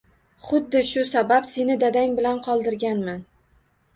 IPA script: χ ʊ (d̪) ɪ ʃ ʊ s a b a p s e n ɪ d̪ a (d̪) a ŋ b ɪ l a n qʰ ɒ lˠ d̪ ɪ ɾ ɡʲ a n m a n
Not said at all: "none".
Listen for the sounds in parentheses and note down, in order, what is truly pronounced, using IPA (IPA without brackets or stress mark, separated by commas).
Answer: d̪ː, d̪